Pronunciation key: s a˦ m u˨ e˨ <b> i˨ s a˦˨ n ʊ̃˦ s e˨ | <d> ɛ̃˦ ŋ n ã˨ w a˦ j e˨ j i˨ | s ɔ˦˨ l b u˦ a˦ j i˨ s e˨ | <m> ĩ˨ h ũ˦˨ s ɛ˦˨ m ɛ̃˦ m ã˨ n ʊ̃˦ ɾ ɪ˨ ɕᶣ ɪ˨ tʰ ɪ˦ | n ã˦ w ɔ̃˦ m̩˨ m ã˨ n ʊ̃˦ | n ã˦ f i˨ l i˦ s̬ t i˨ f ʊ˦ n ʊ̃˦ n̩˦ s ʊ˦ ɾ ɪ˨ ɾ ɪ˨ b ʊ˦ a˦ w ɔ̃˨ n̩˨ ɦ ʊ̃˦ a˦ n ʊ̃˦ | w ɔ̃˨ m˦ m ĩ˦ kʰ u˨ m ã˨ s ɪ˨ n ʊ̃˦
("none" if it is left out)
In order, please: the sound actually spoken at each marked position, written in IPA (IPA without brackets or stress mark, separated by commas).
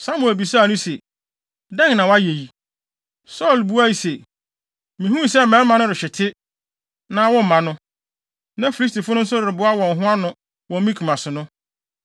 b, d, m